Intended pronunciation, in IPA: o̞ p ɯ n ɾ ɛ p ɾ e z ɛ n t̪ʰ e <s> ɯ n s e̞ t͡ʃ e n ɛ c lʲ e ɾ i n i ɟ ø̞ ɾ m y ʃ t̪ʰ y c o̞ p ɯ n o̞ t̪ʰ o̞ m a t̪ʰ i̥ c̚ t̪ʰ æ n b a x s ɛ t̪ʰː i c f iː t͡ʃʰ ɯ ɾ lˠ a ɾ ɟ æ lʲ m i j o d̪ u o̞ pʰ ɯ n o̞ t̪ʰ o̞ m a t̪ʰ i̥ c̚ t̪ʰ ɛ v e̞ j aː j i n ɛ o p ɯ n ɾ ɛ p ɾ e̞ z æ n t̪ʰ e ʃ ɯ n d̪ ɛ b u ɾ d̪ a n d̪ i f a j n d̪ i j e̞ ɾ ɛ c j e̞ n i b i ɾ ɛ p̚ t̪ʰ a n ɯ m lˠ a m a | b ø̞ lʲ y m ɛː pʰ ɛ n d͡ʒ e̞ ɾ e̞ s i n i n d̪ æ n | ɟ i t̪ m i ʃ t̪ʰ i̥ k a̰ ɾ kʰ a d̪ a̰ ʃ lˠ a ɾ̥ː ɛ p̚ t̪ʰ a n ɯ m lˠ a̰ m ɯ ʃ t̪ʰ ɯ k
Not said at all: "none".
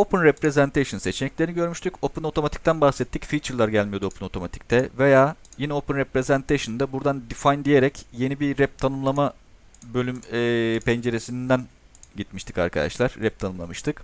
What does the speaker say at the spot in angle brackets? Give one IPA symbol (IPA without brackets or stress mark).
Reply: ʃ